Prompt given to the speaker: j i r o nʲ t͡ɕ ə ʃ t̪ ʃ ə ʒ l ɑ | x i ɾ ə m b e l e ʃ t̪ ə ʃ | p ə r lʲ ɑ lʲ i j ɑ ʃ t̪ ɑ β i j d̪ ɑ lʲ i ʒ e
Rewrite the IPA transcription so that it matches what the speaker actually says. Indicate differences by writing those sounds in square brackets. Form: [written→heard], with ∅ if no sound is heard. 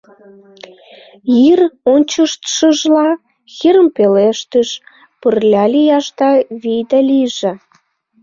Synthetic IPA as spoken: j i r o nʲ t͡ɕ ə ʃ t̪ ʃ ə ʒ l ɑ | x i ɾ ə m [b→p] e l e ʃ t̪ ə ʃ | p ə r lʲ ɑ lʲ i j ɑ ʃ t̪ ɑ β i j d̪ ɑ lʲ i ʒ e